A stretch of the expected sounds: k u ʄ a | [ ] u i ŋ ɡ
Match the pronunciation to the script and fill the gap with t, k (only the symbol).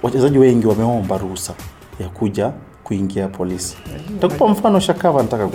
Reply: k